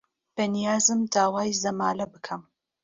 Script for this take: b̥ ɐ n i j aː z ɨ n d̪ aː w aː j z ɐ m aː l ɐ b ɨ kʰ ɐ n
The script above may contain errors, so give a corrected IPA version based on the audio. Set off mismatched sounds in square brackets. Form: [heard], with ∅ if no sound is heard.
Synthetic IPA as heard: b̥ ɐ n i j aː z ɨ [m] d̪ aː w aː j z ɐ m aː l ɐ b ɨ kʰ ɐ [m]